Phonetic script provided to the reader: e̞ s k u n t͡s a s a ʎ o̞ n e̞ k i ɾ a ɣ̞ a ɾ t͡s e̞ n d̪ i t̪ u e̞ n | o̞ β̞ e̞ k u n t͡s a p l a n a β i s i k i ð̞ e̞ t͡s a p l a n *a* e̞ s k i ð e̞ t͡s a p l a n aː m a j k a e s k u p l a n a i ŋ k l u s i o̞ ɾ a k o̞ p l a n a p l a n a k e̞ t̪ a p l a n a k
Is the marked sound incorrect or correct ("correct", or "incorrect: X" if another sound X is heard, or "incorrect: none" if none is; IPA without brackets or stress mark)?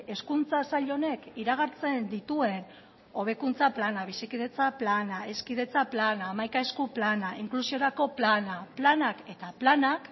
correct